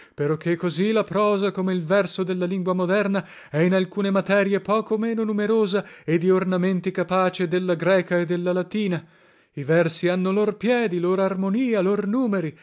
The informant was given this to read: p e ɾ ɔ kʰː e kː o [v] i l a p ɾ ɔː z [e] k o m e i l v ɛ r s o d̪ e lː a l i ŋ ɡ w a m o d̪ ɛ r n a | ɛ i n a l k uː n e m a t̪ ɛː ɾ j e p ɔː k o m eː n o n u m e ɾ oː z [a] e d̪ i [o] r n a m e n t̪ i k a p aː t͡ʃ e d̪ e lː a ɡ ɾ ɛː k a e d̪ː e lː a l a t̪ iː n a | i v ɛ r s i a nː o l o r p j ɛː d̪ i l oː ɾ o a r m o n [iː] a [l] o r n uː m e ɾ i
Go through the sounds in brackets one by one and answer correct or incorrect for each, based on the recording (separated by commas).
incorrect, incorrect, correct, correct, correct, correct